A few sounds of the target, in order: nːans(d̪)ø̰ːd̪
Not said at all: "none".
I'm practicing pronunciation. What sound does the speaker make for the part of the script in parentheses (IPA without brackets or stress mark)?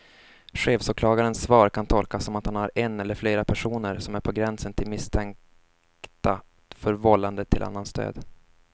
t̪